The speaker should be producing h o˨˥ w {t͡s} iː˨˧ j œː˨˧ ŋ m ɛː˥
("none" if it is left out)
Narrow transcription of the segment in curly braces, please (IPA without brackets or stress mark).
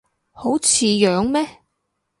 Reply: t͡sʰ